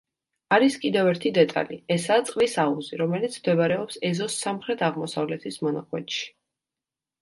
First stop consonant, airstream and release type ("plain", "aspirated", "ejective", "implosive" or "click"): ejective